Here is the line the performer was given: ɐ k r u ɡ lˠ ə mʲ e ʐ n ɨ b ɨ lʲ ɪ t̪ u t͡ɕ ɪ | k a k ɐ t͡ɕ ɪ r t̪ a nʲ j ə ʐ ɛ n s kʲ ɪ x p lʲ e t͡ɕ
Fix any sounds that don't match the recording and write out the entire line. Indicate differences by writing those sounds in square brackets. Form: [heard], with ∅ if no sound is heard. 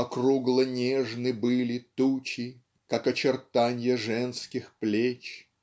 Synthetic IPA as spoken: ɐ k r u ɡ lˠ ə [nʲ] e ʐ n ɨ b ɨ lʲ ɪ t̪ u t͡ɕ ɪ | k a k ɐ t͡ɕ ɪ r t̪ a nʲ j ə ʐ ɛ n s kʲ ɪ x p lʲ e t͡ɕ